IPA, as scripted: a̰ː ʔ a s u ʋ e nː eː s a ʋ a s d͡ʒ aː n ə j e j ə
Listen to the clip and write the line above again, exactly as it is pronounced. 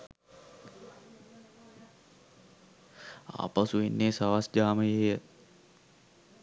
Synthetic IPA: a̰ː p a s u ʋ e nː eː s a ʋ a s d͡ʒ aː m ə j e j ə